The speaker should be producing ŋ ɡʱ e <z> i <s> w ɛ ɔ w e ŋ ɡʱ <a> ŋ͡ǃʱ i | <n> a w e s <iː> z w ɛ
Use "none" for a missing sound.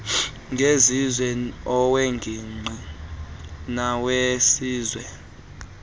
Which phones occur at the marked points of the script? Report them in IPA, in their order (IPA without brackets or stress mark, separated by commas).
z, z, i, n, iː